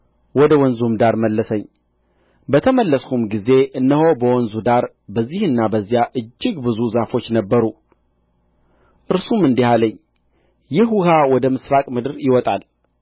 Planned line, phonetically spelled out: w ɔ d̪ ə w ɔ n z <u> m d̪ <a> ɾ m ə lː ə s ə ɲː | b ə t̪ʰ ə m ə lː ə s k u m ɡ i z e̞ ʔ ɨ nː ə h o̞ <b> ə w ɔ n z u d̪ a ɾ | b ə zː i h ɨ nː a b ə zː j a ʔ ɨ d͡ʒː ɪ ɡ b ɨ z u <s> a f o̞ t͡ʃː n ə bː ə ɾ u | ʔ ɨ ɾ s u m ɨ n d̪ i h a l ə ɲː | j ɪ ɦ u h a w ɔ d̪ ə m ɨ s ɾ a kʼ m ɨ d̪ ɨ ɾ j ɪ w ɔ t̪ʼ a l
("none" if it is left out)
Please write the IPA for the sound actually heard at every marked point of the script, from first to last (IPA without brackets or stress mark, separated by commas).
u, a, b, z